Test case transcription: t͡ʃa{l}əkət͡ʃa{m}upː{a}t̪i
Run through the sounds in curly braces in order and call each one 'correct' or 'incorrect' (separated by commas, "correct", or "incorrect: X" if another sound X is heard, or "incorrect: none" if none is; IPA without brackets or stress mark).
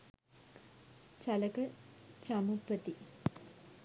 correct, correct, incorrect: ə